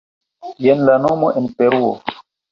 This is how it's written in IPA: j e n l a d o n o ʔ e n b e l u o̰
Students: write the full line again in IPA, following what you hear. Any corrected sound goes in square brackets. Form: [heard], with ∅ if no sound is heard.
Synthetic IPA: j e n l a [n] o [m] o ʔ e n [p] e [ɾ] u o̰